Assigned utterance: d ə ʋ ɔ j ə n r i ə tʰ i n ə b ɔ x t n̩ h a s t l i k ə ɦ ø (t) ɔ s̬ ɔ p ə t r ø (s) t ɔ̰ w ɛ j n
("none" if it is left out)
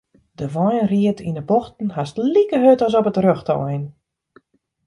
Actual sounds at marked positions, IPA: t, x

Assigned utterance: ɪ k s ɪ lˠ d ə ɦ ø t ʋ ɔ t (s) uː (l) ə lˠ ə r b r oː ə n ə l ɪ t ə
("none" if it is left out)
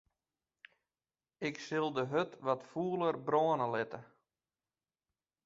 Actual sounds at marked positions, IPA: f, none

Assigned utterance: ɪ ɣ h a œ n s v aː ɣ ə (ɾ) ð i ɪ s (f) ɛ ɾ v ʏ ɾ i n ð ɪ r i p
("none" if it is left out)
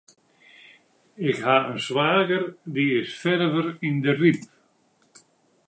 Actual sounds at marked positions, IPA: ɾ, f

